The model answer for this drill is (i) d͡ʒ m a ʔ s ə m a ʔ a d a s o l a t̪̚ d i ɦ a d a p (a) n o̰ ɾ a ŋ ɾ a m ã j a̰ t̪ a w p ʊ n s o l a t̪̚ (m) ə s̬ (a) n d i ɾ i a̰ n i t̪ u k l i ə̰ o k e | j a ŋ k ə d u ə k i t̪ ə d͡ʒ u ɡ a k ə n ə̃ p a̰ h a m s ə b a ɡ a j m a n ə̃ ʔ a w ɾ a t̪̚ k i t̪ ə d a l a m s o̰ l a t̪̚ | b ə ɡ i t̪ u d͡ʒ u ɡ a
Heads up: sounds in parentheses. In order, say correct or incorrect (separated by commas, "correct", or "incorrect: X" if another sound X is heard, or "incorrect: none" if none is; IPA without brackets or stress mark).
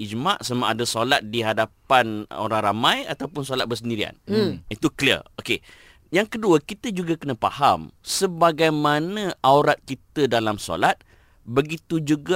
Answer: correct, correct, incorrect: b, incorrect: ə